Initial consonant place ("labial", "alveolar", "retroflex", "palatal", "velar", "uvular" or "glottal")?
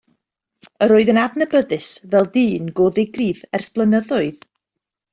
alveolar